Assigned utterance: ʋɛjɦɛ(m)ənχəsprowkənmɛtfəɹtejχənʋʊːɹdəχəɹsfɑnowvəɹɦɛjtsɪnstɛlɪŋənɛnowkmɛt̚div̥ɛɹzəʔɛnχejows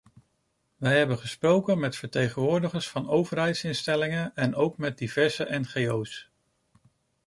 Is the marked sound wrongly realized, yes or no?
yes